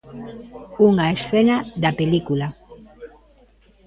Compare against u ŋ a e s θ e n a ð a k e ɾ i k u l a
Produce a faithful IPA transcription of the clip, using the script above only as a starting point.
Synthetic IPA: u ŋ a e s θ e n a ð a p e l i k u l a